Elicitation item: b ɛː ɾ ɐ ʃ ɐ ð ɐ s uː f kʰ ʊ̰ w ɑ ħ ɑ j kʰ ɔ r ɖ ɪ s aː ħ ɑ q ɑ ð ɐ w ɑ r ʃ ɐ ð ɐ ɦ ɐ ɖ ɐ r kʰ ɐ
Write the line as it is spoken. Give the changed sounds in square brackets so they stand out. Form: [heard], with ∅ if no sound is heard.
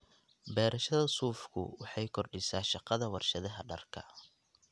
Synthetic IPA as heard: b ɛː ɾ ɐ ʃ ɐ ð ɐ s uː f kʰ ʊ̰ w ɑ ħ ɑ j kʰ ɔ r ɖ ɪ s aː [ʃ] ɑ q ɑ ð ɐ w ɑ r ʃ ɐ ð ɐ ɦ ɐ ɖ ɐ r kʰ ɐ